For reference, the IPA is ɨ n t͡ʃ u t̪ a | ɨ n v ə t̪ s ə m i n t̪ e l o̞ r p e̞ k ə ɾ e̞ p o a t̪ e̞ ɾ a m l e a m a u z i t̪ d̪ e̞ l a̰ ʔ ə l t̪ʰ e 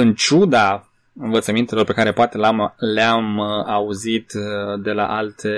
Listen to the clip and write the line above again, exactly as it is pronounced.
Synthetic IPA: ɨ n t͡ʃ u d̪ a | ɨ n v ə t̪ s ə m i n t̪ e l o̞ r p e̞ k a ɾ e̞ p o a t̪ e̞ l a m l e a m a u z i t̪ d̪ e̞ l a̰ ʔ a l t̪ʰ e